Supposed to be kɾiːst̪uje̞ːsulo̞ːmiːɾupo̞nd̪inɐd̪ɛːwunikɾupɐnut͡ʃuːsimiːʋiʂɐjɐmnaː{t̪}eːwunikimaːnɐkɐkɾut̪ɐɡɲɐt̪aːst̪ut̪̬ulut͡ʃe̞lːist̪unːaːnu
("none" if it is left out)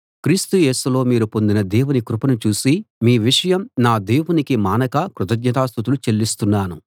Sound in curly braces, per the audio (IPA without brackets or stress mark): d̪